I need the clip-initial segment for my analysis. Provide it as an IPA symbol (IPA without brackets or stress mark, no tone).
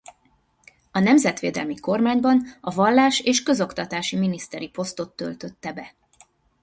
ɒ